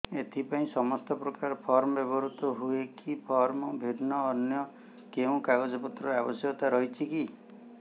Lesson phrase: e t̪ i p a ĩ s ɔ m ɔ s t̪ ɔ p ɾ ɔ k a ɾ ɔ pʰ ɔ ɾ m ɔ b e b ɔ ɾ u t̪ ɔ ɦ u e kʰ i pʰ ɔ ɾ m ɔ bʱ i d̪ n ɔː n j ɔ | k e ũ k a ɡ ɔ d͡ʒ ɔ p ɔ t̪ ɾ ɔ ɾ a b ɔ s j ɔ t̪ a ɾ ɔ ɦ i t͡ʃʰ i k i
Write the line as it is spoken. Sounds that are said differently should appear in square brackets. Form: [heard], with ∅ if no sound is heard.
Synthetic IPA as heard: e [t̪ʰ] i p a ĩ s ɔ m ɔ s t̪ ɔ p ɾ ɔ k a ɾ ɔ pʰ ɔ ɾ m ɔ b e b ɔ ɾ u t̪ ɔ ɦ u e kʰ i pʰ ɔ ɾ m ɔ bʱ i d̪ n ɔː n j ɔ | k e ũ k a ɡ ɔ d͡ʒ ɔ p ɔ t̪ ɾ ɔ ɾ a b ɔ s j ɔ t̪ a ɾ ɔ ɦ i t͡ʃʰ i k i